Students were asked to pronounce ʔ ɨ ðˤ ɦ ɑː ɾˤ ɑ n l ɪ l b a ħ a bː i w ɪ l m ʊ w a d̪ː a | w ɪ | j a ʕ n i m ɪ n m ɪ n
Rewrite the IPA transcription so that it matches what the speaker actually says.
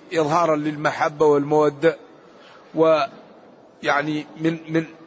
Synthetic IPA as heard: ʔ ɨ ðˤ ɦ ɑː ɾˤ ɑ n l ɪ l m a ħ a bː a w ɪ l m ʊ w a d̪ː a | w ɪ | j a ʕ n i m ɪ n m ɪ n